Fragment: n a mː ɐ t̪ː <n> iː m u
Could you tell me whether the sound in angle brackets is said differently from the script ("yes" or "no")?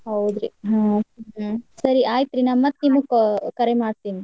no